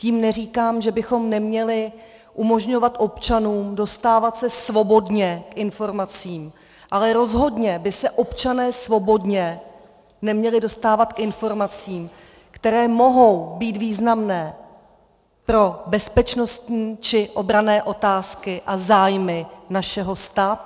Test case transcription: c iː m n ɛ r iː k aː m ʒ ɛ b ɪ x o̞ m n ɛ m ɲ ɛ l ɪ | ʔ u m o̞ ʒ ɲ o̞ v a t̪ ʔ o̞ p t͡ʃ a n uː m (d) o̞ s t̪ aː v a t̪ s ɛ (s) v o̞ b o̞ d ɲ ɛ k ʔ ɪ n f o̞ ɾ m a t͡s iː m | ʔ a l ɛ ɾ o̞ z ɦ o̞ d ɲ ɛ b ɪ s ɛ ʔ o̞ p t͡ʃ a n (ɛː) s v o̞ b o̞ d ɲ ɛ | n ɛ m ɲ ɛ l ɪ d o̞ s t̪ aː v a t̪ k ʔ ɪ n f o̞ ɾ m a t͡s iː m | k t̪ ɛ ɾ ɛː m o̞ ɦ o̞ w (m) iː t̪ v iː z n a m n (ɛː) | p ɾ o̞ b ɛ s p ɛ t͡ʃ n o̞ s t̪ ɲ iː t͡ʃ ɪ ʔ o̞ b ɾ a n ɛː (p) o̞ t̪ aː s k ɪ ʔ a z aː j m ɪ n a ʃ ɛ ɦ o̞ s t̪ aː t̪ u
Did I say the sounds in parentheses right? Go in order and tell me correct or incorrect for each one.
correct, correct, correct, incorrect: b, correct, incorrect: ʔ

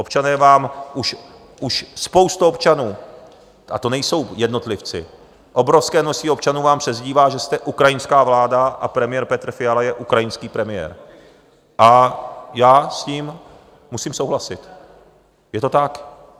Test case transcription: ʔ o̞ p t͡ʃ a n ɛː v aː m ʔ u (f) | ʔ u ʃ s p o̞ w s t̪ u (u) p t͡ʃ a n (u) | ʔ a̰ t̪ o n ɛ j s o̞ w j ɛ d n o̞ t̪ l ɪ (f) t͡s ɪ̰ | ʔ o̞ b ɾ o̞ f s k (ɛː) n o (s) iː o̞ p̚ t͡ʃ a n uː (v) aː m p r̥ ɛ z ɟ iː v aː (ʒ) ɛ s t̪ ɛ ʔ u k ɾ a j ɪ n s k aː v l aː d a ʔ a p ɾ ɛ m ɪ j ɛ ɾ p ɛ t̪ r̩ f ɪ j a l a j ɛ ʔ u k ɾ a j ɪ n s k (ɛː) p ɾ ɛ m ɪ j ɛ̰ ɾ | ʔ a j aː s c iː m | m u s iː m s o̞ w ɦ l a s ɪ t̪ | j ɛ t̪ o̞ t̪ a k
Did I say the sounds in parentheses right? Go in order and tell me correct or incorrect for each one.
incorrect: ʃ, incorrect: o, incorrect: uː, correct, correct, correct, correct, correct, incorrect: iː

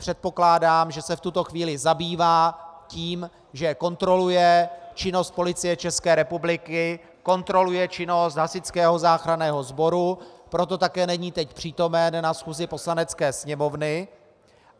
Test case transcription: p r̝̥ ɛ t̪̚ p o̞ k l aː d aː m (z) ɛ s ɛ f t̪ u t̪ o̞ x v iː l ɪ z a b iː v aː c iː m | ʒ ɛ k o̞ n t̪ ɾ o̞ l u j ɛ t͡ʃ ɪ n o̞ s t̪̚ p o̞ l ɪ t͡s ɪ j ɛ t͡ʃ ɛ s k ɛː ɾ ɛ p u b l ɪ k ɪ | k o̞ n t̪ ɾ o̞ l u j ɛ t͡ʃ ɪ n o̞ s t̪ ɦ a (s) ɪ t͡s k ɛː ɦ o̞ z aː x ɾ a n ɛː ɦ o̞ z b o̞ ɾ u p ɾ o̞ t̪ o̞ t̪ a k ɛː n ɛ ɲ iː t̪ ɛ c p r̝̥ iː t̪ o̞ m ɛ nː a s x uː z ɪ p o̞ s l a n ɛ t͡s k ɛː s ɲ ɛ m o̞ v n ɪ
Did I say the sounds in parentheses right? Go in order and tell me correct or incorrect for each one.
incorrect: ʒ, correct

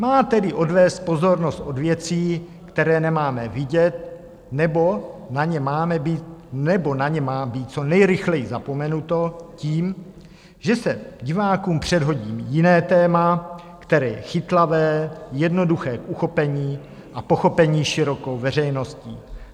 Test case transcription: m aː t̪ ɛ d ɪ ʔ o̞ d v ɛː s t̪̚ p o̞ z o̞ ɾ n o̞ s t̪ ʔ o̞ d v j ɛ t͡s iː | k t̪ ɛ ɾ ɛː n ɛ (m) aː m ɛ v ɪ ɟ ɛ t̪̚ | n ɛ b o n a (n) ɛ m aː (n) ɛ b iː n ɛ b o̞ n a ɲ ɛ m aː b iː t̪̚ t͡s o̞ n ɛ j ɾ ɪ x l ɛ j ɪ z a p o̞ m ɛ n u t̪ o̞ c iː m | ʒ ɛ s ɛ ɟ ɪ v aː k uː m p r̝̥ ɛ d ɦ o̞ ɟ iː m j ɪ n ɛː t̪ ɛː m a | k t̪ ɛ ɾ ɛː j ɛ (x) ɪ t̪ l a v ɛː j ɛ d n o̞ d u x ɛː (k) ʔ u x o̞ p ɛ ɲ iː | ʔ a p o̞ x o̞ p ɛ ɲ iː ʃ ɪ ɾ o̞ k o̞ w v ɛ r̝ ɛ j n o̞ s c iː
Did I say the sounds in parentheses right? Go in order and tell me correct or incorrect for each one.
correct, incorrect: ɲ, incorrect: m, correct, correct

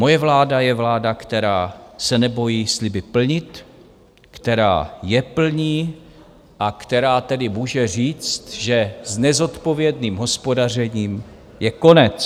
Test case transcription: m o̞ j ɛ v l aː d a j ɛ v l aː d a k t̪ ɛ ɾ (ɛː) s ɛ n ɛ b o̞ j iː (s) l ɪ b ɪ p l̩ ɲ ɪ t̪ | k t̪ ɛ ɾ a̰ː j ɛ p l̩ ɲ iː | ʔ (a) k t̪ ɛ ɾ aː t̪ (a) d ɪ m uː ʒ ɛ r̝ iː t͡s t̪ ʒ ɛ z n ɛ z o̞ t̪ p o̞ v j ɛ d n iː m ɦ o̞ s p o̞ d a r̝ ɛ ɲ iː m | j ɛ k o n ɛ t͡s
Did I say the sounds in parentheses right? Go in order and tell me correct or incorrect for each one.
incorrect: aː, correct, correct, incorrect: ɛ

